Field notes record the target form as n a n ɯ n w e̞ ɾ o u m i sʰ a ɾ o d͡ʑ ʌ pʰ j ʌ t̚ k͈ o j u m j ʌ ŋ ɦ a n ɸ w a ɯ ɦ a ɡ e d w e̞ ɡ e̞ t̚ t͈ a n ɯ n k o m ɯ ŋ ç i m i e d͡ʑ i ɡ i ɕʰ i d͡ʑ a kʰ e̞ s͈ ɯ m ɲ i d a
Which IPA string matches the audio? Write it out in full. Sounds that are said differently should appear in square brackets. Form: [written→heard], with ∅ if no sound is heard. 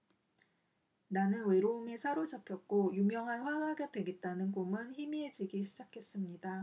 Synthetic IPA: n a n ɯ n w e̞ ɾ o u m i sʰ a ɾ o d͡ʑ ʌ pʰ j ʌ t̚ k͈ o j u m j ʌ ŋ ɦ a n ɸ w a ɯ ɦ a ɡ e d w e̞ ɡ e̞ t̚ t͈ a n ɯ n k o m ɯ [ŋ→n] ç i m i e d͡ʑ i ɡ i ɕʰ i d͡ʑ a kʰ e̞ s͈ ɯ m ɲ i d a